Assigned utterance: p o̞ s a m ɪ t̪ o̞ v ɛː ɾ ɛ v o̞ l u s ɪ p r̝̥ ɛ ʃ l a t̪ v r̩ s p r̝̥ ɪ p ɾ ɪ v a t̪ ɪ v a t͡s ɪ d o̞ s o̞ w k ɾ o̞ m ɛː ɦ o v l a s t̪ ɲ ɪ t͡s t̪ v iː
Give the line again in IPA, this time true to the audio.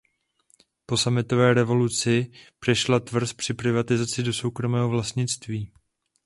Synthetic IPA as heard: p o̞ s a m ɪ t̪ o̞ v ɛː ɾ ɛ v o̞ l u t͡s ɪ p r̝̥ ɛ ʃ l a t̪ v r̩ s p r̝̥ ɪ p ɾ ɪ v a t̪ ɪ z a t͡s ɪ d o̞ s o̞ w k ɾ o̞ m ɛː ɦ o v l a s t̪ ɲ ɪ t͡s t̪ v iː